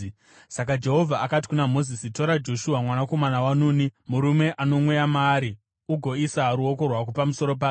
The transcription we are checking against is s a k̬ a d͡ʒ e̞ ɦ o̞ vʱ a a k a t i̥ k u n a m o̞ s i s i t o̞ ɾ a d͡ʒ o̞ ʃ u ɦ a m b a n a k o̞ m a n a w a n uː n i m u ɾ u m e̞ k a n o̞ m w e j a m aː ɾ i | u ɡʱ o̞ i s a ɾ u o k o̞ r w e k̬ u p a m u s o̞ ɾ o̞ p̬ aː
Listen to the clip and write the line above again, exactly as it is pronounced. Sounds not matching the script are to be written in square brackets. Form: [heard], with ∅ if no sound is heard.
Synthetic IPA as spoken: s a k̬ a d͡ʒ e̞ ɦ o̞ vʱ a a k a t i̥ k u n a m o̞ [z] i s i t o̞ ɾ a d͡ʒ o̞ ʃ u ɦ a m [w] a n a k o̞ m a n a w a n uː n i m u ɾ u m e̞ [ʔ] a n o̞ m w e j a m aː ɾ i | u ɡʱ o̞ i s a ɾ u o k o̞ r w [a] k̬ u p a m u s o̞ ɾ o̞ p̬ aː